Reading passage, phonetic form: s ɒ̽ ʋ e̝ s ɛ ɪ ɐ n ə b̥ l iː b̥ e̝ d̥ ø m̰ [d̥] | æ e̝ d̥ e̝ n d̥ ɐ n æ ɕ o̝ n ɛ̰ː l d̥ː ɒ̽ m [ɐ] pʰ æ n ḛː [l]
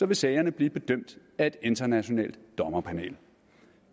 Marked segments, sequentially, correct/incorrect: correct, correct, correct

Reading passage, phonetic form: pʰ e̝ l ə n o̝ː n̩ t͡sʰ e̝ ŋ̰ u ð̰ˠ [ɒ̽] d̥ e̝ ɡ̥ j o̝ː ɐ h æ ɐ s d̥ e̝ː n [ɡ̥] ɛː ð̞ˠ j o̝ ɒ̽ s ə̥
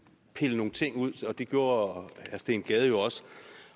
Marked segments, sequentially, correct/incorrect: correct, correct

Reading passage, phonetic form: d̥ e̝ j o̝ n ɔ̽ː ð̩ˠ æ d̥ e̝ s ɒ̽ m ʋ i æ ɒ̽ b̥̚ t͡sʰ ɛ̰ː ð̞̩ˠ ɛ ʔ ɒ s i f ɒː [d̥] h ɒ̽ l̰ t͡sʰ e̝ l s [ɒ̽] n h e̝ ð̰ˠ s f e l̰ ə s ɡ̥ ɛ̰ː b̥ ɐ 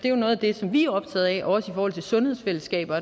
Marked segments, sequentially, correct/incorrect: incorrect: none, incorrect: ɔ̽

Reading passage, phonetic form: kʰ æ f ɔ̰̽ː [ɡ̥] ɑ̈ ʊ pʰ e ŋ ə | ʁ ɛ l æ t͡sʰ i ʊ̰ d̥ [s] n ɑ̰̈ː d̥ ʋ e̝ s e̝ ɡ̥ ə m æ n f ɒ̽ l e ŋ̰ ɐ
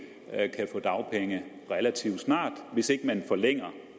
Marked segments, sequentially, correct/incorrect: incorrect: d̥, correct

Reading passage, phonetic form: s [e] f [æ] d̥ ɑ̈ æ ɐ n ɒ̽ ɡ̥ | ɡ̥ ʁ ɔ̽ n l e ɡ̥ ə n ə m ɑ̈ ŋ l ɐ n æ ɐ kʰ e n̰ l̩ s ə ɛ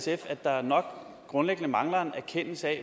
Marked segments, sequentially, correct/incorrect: correct, correct

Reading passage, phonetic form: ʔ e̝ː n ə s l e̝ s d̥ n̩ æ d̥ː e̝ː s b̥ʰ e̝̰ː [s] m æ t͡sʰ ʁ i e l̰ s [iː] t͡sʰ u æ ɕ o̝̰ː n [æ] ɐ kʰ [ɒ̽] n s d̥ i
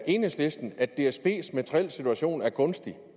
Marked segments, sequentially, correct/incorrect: correct, incorrect: i, correct, incorrect: ɔ̽

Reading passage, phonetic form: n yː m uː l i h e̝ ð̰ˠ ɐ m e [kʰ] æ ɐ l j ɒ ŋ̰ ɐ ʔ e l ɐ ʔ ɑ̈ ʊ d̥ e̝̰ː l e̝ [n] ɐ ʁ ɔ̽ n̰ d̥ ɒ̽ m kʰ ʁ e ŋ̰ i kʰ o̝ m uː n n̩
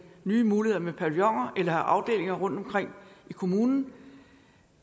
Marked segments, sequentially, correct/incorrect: incorrect: pʰ, incorrect: ŋ

